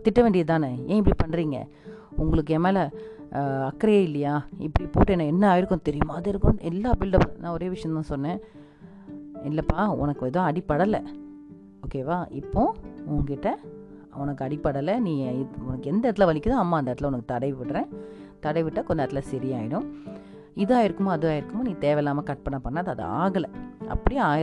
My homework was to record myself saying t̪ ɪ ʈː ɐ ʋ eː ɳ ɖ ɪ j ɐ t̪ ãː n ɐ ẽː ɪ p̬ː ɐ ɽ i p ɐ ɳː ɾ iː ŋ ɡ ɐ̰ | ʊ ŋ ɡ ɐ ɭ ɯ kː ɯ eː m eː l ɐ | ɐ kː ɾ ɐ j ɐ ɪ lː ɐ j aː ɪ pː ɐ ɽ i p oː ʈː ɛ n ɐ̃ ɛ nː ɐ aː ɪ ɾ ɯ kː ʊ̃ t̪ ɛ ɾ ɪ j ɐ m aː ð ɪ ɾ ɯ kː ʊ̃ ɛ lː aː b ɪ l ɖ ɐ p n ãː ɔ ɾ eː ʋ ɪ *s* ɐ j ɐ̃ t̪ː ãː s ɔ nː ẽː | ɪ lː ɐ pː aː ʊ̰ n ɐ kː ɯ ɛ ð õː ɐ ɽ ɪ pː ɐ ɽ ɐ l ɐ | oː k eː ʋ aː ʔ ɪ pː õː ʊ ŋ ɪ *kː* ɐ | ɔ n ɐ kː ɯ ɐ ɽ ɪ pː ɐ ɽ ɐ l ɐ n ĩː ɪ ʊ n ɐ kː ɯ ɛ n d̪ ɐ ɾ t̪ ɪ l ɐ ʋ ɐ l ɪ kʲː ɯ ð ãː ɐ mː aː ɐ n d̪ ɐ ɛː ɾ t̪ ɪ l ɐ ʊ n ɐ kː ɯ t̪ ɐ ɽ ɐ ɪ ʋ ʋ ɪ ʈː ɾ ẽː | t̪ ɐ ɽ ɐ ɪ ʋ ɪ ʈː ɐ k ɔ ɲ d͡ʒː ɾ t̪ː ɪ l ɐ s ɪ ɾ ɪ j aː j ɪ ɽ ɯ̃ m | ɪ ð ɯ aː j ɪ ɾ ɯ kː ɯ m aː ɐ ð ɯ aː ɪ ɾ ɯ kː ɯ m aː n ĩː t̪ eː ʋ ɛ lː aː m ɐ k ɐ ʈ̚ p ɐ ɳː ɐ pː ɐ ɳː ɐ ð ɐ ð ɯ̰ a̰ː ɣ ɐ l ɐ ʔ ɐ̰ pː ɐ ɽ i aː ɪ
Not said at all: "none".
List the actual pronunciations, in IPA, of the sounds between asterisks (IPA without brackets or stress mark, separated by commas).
ʂ, ʈː